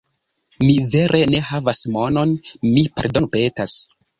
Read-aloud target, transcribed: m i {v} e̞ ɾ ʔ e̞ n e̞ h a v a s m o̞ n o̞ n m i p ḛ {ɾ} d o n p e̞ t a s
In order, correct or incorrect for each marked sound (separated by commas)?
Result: correct, correct